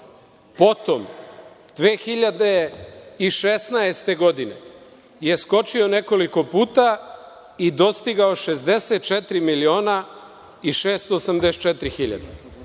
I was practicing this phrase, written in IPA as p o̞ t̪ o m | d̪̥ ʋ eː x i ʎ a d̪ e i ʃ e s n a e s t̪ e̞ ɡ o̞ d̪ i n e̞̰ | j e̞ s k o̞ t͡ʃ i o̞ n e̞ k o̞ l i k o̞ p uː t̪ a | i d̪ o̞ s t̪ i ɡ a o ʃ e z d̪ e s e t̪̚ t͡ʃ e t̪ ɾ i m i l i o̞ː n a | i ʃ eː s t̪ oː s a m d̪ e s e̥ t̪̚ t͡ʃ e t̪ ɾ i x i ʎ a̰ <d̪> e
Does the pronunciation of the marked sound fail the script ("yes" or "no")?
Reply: no